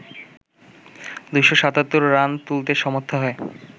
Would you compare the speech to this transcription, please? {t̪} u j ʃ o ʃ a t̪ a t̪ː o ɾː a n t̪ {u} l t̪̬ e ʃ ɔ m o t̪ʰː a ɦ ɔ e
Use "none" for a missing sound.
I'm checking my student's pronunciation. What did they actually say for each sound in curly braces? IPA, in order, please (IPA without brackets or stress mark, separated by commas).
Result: d̪, u